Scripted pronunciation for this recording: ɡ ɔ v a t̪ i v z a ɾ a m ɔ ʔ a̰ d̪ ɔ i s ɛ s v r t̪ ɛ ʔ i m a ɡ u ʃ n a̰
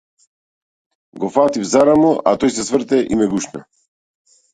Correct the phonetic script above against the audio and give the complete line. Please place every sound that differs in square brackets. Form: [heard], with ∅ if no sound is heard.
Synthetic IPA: ɡ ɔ [f] a t̪ i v z a ɾ a m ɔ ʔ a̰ [t̪] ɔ [j] s ɛ s v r t̪ ɛ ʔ i m [ɛ] ɡ u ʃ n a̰